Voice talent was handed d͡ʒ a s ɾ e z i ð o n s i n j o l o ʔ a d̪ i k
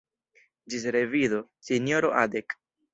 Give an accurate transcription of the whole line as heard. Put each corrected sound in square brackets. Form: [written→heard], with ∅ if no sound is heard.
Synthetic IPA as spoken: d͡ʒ [a→i] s ɾ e [z→v] i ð o [n→∅] s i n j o [l→ɾ] o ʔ a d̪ [i→e] k